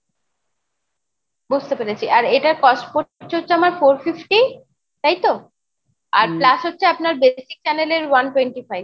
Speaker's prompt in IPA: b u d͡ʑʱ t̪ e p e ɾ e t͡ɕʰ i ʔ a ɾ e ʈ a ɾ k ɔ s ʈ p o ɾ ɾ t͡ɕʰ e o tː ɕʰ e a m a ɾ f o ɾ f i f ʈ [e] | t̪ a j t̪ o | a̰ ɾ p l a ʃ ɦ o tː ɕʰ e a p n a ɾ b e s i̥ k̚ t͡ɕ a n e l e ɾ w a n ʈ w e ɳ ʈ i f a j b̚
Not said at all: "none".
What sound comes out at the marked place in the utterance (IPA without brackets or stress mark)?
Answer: i